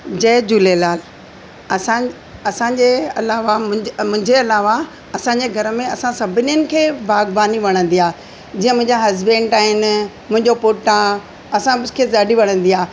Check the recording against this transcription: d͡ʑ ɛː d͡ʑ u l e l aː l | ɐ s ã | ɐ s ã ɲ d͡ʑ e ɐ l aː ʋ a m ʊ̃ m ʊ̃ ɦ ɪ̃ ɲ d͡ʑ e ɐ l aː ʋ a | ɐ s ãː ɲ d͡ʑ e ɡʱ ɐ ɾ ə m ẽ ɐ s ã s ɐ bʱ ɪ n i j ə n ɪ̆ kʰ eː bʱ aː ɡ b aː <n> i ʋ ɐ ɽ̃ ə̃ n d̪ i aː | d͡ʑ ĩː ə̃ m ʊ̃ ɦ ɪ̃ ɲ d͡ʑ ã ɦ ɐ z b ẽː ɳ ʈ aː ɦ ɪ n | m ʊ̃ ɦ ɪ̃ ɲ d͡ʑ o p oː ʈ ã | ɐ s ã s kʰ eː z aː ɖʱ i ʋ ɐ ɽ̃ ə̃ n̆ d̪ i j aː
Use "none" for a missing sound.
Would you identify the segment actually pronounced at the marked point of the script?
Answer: n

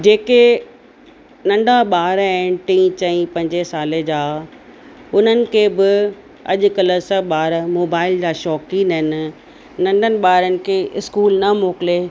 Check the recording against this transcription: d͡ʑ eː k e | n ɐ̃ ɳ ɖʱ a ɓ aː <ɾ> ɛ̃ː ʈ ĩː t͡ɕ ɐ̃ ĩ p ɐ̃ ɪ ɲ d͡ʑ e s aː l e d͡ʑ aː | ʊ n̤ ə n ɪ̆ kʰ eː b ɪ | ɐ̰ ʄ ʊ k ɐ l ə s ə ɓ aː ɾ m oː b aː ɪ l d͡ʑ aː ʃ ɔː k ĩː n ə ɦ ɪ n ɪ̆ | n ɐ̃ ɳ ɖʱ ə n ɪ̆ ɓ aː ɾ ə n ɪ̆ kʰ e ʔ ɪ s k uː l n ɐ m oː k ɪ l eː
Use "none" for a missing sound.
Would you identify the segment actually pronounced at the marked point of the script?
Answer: ɾ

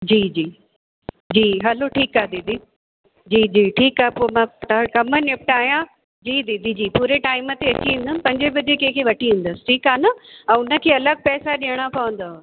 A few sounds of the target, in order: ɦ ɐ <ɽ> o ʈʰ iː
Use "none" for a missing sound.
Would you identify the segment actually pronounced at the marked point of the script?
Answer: l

